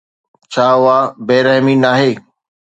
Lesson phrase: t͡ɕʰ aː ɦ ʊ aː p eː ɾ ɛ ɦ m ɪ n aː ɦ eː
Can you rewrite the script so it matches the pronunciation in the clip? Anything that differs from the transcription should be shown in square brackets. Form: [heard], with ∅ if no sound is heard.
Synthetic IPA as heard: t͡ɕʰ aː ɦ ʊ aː [b] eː ɾ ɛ ɦ m [i] n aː ɦ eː